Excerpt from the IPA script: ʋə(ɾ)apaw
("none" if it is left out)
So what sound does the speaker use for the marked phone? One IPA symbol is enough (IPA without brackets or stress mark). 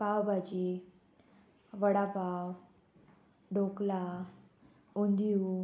ɽ